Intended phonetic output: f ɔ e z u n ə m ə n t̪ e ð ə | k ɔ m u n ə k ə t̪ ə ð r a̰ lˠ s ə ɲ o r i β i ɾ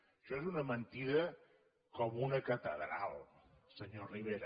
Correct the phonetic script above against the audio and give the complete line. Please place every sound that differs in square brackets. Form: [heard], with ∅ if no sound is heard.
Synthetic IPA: [ʃ] ɔ e z u n ə m ə n t̪ [i] ð ə | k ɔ m u n ə k ə t̪ ə ð [ɾ] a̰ lˠ s ə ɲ o r i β [e] ɾ